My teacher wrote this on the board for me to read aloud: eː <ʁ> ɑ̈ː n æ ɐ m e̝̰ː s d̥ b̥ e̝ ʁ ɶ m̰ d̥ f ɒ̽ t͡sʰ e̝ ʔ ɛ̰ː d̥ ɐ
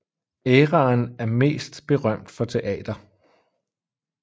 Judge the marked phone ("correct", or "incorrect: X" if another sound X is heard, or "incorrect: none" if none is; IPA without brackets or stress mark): correct